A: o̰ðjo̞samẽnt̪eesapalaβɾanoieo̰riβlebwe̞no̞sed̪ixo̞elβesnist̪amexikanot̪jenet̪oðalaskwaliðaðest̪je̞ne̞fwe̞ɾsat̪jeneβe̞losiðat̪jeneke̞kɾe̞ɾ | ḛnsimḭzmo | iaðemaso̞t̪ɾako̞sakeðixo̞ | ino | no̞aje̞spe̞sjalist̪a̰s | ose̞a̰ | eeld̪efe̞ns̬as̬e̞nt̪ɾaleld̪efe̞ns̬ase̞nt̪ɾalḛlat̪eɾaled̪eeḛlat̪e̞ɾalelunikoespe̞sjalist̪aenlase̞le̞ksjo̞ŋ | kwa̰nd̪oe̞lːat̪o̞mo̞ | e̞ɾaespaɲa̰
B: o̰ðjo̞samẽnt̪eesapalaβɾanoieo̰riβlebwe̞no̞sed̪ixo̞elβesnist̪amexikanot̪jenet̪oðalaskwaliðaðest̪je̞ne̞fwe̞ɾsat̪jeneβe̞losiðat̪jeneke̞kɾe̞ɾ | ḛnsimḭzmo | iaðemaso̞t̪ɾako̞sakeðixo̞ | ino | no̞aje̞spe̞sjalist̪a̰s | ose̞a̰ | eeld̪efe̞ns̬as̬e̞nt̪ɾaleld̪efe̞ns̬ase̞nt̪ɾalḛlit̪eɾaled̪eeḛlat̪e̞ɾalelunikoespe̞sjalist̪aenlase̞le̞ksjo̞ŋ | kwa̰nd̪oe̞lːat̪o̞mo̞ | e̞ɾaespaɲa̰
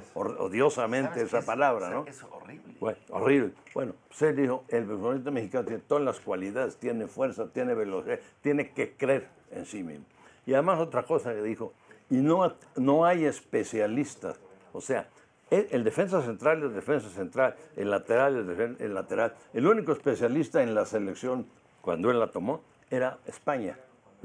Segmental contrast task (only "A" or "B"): A